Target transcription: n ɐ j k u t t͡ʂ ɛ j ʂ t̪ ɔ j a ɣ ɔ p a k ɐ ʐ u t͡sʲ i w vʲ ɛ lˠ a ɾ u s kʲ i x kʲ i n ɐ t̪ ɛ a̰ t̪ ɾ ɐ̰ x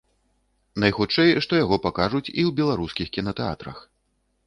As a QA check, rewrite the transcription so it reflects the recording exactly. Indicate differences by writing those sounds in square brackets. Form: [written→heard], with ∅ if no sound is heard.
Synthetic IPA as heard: n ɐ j [k→x] u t t͡ʂ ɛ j ʂ t̪ ɔ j a ɣ ɔ p a k [ɐ→a] ʐ u t͡sʲ i w [vʲ→bʲ] ɛ lˠ a ɾ u s kʲ i x kʲ i n ɐ t̪ ɛ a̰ t̪ ɾ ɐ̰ x